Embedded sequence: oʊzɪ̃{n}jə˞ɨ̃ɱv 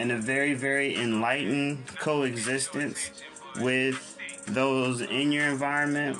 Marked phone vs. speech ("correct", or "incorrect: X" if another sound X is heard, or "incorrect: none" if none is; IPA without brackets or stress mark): correct